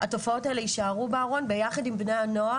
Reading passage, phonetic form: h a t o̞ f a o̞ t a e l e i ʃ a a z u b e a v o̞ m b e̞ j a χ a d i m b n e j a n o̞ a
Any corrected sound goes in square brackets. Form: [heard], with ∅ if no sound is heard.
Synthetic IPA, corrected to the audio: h a t o̞ f a o̞ t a e l e i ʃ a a [ʁ] u b e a [ʁ] o̞ [n] b e̞ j a χ a d i m b n e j a n o̞ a